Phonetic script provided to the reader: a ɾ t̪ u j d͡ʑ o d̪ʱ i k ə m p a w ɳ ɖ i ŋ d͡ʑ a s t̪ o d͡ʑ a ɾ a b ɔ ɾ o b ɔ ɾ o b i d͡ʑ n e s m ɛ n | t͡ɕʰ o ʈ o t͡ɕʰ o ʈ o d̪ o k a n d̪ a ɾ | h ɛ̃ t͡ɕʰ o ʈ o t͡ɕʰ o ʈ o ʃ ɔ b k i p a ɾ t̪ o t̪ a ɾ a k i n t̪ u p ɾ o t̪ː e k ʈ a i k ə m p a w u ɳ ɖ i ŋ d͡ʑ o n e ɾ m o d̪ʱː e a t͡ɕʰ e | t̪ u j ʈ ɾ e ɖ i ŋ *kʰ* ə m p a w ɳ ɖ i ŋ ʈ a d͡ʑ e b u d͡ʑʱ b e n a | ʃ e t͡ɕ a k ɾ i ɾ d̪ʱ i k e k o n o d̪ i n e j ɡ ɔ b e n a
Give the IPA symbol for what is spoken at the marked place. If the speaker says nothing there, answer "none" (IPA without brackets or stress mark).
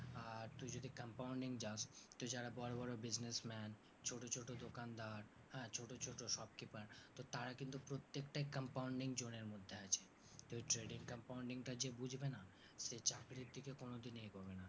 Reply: k